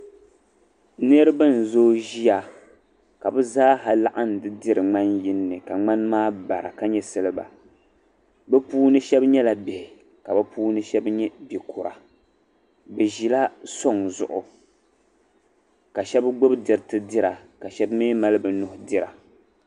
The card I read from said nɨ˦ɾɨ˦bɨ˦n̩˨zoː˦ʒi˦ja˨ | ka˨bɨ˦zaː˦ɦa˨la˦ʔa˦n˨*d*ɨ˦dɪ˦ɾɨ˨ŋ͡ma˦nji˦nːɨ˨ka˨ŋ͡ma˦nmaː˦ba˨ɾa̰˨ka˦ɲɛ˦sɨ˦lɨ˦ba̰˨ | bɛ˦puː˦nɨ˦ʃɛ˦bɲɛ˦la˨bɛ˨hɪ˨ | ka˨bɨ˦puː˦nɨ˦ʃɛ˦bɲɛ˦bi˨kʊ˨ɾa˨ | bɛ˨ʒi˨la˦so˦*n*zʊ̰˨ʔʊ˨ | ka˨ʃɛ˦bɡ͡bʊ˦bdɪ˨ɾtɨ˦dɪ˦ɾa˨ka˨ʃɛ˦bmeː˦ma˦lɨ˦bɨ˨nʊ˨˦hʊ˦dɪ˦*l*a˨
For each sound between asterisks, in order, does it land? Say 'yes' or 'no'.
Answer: yes, no, no

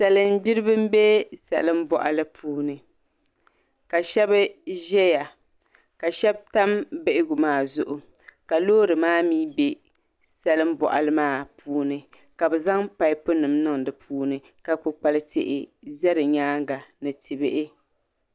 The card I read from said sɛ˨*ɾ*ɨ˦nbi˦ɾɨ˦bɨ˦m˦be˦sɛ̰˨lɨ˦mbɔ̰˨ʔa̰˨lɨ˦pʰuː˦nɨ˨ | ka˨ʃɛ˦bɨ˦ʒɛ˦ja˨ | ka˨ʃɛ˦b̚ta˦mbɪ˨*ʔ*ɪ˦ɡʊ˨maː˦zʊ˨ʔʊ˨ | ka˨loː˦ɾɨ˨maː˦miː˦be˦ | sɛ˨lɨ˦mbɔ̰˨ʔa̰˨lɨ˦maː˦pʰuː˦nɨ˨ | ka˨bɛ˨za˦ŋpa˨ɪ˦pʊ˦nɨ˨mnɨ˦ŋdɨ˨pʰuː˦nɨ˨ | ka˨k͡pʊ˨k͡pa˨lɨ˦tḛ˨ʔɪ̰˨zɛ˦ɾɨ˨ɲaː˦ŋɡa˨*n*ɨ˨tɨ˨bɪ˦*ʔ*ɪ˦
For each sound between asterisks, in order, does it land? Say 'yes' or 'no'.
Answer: no, yes, yes, yes

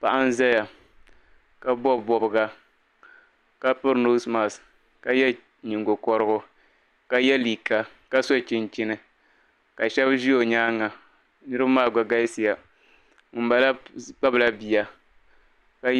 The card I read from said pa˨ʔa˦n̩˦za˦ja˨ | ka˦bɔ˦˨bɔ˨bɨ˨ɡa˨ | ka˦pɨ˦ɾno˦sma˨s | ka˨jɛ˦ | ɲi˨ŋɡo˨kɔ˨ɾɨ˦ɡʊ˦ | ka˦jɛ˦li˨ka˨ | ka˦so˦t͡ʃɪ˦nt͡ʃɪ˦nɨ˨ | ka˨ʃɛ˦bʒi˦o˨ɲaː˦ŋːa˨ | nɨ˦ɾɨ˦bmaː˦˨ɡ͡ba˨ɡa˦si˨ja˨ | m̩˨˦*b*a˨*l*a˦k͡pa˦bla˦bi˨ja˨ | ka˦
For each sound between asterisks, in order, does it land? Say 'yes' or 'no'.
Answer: yes, yes

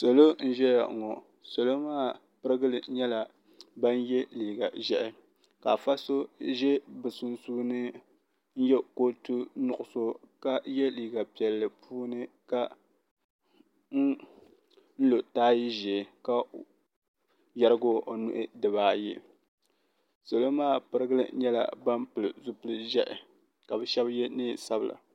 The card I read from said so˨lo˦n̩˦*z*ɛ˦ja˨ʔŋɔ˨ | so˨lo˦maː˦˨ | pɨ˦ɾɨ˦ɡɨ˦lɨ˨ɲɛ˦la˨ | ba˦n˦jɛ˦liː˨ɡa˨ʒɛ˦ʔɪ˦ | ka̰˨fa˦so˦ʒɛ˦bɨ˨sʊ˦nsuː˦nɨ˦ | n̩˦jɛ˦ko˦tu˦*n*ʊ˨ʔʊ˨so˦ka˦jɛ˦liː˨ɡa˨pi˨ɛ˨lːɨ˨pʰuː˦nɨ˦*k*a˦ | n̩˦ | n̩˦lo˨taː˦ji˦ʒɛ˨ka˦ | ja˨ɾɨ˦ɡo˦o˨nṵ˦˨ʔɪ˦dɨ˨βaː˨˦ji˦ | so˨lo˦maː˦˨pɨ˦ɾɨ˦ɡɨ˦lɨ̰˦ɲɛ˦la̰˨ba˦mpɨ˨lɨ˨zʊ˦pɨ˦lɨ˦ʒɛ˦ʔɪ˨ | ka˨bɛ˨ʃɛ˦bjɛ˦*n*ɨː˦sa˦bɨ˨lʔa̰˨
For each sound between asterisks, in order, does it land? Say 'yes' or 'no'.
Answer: no, yes, yes, yes

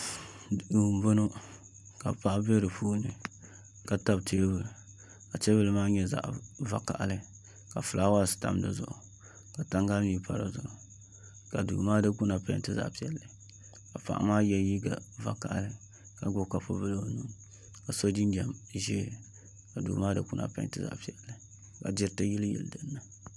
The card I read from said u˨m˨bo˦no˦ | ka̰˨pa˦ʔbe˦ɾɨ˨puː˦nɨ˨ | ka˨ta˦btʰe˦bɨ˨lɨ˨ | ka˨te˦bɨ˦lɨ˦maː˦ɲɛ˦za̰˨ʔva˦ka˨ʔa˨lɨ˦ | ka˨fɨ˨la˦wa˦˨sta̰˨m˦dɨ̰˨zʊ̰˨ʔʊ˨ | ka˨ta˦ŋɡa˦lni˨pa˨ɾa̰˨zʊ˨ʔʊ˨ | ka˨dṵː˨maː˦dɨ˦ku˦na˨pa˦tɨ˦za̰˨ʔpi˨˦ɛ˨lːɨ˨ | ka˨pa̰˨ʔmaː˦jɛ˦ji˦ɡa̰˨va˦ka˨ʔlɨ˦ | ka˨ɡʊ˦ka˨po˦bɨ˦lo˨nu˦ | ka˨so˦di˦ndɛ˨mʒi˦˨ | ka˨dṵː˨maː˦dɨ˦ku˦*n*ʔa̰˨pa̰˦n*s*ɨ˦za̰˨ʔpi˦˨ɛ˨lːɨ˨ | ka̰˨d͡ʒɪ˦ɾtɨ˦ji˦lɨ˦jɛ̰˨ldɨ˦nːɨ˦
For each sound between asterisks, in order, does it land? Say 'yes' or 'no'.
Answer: yes, no

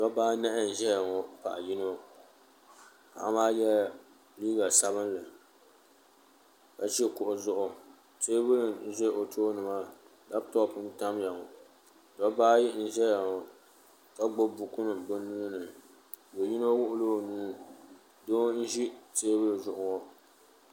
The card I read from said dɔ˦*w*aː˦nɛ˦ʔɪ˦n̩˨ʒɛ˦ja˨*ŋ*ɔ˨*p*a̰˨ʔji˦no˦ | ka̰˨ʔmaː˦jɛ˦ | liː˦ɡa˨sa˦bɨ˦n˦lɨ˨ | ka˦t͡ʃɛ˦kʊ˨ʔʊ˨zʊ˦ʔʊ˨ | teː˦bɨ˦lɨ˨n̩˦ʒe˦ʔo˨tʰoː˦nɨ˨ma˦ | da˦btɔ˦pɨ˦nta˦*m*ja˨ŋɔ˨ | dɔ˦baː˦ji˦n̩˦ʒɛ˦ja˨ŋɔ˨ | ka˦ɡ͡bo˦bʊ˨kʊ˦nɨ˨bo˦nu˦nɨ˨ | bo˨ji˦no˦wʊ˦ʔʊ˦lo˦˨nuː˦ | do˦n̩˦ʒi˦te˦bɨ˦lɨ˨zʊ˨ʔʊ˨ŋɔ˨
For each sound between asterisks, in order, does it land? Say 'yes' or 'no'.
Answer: no, yes, yes, yes

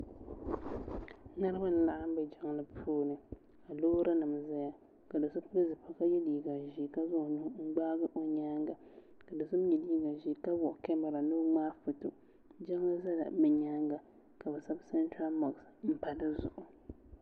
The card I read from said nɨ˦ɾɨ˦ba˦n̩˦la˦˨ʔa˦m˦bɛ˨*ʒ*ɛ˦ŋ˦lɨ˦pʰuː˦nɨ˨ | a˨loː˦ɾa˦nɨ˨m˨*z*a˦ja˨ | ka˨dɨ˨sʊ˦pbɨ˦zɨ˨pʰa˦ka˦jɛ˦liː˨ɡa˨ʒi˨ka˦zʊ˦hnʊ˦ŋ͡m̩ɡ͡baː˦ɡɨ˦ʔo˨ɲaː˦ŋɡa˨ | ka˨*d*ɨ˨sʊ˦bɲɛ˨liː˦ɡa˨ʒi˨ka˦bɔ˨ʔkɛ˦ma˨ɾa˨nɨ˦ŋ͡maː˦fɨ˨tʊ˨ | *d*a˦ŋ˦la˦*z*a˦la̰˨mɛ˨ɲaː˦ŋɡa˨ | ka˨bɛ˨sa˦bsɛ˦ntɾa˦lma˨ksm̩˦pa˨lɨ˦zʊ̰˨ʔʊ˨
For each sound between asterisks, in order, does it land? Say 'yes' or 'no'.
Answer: no, yes, yes, no, yes

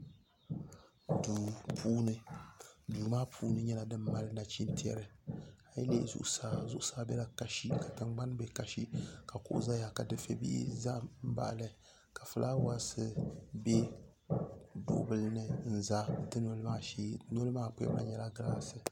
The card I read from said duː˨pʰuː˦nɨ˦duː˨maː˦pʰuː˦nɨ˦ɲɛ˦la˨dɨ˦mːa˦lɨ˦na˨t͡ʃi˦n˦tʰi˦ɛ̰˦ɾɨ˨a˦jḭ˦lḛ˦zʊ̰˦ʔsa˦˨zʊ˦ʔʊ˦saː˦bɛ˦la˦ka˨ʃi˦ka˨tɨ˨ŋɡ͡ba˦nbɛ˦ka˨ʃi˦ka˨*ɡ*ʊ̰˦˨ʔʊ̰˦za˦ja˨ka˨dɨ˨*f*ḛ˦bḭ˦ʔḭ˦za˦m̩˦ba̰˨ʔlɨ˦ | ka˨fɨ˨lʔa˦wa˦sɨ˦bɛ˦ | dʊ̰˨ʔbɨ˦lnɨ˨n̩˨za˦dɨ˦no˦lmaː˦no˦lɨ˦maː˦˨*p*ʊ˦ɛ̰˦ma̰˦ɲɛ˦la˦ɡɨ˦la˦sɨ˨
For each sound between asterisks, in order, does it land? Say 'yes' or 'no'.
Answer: no, yes, yes

